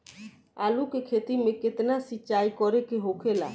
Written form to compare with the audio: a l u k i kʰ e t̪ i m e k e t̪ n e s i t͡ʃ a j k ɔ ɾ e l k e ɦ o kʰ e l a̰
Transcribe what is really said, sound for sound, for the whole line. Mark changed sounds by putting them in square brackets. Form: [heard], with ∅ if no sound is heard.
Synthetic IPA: a l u k [e] kʰ e t̪ i m e k e t̪ n [a] s i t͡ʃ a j k ɔ ɾ e [∅] k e ɦ o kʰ e l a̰